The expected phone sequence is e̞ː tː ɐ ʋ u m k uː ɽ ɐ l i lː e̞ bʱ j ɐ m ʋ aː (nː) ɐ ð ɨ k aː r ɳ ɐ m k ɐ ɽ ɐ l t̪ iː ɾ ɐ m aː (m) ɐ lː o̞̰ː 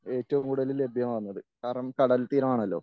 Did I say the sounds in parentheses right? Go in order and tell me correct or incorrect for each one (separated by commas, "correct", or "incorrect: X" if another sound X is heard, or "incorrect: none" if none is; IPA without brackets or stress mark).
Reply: correct, incorrect: ɳ